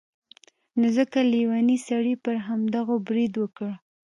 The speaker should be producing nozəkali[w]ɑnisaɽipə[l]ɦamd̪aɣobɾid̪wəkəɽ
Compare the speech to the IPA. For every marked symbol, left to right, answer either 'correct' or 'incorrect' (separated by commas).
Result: correct, incorrect